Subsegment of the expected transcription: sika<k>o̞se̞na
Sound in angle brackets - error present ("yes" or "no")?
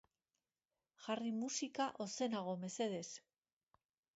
yes